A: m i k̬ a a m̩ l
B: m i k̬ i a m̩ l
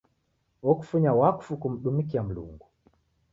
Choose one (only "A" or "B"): B